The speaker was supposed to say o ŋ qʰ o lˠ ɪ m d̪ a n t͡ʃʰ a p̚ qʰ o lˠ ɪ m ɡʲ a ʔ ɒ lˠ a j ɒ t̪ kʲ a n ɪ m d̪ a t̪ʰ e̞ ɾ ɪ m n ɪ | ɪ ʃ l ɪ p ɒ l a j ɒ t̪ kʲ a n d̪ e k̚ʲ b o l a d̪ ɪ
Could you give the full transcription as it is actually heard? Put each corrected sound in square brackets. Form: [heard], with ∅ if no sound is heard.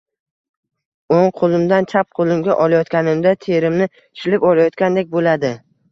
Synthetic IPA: o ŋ qʰ o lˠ ɪ m d̪ a n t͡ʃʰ a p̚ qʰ o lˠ ɪ m ɡʲ a ʔ ɒ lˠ a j ɒ t̪ kʲ a n ɪ m d̪ a t̪ʰ e̞ ɾ ɪ m n ɪ | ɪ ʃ l ɪ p ɒ l a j ɒ t̪ kʲ a n d̪ e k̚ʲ b o l a d̪ ɪ